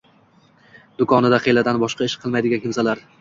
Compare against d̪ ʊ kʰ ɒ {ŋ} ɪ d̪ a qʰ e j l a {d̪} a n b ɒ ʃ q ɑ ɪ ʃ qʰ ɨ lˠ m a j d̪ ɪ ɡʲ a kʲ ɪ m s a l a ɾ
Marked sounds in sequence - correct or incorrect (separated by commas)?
incorrect, correct